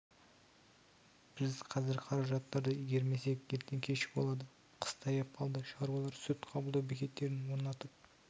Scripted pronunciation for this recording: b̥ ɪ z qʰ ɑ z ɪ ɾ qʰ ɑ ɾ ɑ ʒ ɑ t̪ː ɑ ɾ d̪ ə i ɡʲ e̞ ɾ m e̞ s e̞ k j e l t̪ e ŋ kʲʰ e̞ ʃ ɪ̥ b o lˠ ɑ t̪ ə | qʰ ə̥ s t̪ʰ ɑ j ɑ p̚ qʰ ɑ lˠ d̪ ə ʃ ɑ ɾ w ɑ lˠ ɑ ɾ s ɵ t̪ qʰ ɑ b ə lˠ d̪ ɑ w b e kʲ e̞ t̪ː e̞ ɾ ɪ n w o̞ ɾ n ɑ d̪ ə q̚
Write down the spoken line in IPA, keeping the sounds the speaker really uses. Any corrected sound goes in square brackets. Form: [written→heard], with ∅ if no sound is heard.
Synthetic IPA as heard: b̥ ɪ z qʰ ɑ z ɪ ɾ qʰ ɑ ɾ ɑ ʒ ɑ t̪ː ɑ ɾ d̪ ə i ɡʲ e̞ ɾ m e̞ s e̞ k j e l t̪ e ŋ kʲʰ e̞ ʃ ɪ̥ b o lˠ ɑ [t̪→d̪] ə | qʰ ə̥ s t̪ʰ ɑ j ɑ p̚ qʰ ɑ lˠ d̪ ə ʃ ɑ ɾ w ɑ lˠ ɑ ɾ s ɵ t̪ qʰ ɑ b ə lˠ d̪ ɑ w b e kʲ e̞ t̪ː e̞ ɾ ɪ n w o̞ ɾ n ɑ [d̪→t̪] ə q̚